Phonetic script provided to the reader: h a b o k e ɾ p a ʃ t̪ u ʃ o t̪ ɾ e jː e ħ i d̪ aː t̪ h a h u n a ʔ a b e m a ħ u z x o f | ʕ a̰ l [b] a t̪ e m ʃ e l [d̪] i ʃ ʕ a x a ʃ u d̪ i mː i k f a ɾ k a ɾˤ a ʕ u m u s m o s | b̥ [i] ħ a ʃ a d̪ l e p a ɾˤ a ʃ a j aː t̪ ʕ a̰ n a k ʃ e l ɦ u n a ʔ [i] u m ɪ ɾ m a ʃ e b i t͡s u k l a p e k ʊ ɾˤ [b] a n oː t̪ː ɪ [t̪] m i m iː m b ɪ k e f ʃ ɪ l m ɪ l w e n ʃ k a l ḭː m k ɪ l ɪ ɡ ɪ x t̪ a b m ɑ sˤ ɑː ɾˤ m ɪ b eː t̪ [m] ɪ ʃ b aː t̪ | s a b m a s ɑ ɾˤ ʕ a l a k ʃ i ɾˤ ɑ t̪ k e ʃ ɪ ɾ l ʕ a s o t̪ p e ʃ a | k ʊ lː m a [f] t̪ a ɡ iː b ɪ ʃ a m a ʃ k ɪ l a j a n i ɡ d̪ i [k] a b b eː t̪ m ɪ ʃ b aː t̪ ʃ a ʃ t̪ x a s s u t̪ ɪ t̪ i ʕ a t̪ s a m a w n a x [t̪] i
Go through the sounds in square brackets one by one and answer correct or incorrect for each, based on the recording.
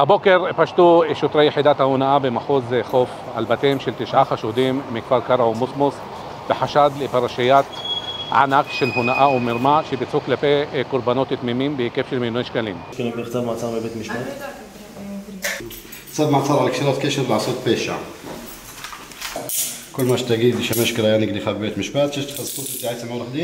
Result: correct, incorrect, incorrect, incorrect, correct, correct, correct, incorrect, incorrect, incorrect

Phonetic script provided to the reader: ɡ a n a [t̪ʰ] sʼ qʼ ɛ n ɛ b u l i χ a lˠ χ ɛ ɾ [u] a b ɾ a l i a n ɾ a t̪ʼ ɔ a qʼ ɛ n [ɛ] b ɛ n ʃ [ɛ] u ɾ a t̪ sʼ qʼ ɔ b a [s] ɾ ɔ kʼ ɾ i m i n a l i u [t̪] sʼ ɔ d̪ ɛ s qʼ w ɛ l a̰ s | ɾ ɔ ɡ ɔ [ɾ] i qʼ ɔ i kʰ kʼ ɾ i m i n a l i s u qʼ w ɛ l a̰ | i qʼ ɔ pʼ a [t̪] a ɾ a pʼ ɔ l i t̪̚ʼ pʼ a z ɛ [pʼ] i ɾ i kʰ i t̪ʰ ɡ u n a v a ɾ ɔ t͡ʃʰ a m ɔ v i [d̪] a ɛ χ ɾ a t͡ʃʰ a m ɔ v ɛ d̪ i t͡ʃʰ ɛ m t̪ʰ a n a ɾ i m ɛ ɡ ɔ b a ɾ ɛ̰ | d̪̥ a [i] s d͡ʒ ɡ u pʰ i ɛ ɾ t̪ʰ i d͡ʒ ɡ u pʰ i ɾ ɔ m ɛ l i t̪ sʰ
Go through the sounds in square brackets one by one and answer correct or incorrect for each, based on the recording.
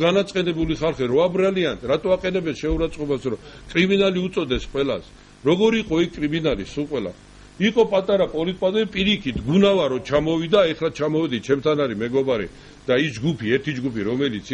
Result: incorrect, incorrect, correct, correct, correct, correct, correct, incorrect, correct, correct, correct

